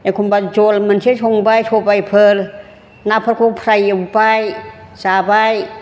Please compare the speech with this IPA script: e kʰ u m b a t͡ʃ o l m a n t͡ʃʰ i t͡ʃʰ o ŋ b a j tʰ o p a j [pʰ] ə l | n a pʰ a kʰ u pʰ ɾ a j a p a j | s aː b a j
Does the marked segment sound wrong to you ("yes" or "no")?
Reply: no